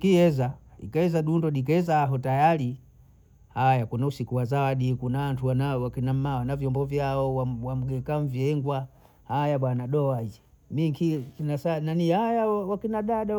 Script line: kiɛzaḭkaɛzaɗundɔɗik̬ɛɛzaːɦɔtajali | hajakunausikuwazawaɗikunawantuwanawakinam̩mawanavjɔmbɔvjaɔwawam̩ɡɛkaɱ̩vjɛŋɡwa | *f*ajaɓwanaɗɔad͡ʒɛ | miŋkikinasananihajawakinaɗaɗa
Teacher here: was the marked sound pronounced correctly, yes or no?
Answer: no